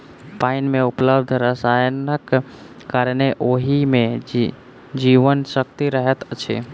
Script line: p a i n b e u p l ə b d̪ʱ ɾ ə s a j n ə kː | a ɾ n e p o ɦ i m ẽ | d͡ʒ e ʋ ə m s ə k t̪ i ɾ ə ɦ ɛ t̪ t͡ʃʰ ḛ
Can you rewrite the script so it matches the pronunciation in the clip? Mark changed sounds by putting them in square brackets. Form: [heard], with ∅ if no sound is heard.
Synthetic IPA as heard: p a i n [m] e u p l ə b d̪ʱ ɾ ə s a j n ə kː | a ɾ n e [ʔ] o ɦ i m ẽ | d͡ʒ [i] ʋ ə [n] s ə k t̪ i ɾ ə ɦ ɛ t̪ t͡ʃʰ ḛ